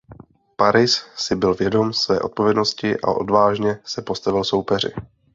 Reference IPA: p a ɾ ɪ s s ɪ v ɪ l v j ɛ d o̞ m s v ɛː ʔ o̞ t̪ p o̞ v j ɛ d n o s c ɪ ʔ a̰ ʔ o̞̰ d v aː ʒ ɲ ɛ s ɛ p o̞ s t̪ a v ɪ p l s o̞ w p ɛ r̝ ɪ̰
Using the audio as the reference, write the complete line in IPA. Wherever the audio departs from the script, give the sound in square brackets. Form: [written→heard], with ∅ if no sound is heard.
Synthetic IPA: p a ɾ ɪ s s ɪ [v→b] ɪ l v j ɛ d o̞ m s v ɛː ʔ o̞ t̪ p o̞ v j ɛ d n o s c ɪ ʔ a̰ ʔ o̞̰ d v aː ʒ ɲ ɛ s ɛ p o̞ s t̪ a v ɪ [p→∅] l s o̞ w p ɛ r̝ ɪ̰